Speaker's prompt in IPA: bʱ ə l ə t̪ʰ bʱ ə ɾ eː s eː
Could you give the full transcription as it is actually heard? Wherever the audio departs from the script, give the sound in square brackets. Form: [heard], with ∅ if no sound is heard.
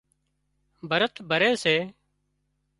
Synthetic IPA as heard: bʱ ə [ɾ] ə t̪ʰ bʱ ə ɾ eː s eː